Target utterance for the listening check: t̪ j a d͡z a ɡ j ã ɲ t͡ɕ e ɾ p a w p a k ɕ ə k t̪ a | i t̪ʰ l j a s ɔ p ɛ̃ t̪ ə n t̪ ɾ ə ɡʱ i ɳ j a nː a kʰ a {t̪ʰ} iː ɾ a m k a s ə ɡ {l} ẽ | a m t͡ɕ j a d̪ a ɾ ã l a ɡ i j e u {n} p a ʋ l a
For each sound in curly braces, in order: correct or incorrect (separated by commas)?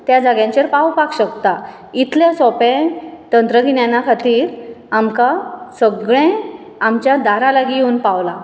incorrect, incorrect, correct